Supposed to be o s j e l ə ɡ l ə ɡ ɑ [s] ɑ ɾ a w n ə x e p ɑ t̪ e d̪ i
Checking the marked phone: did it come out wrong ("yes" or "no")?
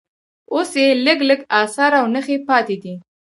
no